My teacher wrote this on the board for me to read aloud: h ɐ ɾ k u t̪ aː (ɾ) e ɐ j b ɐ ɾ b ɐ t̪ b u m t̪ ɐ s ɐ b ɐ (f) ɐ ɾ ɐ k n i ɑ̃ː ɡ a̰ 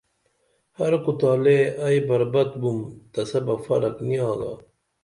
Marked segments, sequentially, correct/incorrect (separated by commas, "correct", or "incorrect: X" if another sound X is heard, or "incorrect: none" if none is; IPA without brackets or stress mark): incorrect: l, correct